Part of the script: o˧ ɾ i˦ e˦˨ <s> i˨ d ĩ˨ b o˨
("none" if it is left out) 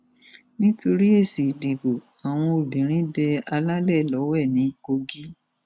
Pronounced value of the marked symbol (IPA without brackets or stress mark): s